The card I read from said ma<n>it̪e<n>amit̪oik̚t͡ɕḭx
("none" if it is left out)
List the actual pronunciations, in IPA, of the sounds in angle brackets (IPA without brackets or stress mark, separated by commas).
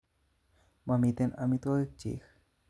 m, n